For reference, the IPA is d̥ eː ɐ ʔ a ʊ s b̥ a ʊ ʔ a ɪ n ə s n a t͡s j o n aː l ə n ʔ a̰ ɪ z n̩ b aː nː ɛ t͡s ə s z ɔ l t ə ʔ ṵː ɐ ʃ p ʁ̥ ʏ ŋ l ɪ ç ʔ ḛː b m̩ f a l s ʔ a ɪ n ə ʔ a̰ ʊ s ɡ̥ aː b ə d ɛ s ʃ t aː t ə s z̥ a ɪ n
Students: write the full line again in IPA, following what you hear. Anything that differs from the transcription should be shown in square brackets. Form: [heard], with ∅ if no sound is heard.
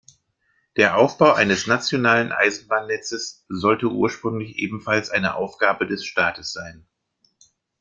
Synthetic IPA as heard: d̥ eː ɐ ʔ a ʊ [f] b̥ a ʊ ʔ a ɪ n ə s n a t͡s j o n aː l ə n ʔ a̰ ɪ z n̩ b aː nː ɛ t͡s ə s z ɔ l t ə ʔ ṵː ɐ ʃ p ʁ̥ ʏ ŋ l ɪ ç ʔ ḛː b m̩ f a l s ʔ a ɪ n ə ʔ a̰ ʊ [f] ɡ̥ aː b ə d ɛ s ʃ t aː t ə s z̥ a ɪ n